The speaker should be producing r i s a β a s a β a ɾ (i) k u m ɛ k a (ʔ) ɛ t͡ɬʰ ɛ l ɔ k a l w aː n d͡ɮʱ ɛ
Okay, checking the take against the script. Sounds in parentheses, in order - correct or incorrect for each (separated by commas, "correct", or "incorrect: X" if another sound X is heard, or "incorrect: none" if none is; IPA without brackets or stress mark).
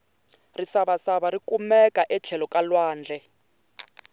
correct, correct